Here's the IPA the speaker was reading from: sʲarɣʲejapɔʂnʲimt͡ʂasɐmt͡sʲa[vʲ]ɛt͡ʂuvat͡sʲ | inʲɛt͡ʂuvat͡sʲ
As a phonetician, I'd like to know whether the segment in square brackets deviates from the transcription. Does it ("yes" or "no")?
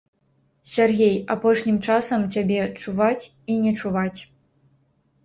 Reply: yes